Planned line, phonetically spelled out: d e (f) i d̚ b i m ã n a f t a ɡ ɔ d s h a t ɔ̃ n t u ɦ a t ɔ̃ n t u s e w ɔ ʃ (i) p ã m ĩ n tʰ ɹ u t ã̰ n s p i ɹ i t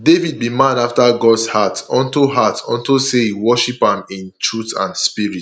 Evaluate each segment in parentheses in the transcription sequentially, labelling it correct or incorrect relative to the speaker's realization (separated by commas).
incorrect, correct